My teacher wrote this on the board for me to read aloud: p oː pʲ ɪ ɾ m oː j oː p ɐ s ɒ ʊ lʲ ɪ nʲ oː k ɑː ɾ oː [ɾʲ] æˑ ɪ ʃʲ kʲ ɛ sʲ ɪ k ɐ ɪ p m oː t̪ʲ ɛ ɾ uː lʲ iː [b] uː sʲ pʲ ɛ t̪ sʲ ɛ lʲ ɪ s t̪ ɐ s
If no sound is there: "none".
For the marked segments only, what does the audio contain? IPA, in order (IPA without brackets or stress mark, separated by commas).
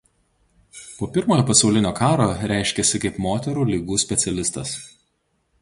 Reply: ɾʲ, ɡ